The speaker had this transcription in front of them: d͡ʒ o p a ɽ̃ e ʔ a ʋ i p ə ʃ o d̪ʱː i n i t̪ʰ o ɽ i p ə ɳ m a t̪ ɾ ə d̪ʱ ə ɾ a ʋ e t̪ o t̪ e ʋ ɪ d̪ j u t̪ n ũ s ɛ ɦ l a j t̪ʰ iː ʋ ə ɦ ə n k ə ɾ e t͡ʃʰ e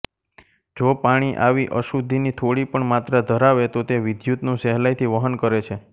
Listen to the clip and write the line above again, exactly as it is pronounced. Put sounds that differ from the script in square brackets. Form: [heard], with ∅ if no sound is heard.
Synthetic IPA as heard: d͡ʒ o p a ɽ̃ [i] ʔ a ʋ i [ʔ] ə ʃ [u] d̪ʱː i n i t̪ʰ o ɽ i p ə ɳ m a t̪ ɾ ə d̪ʱ ə ɾ a ʋ e t̪ o t̪ e ʋ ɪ d̪ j u t̪ n ũ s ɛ ɦ l a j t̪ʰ [i] ʋ ə ɦ ə n k ə ɾ e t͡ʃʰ e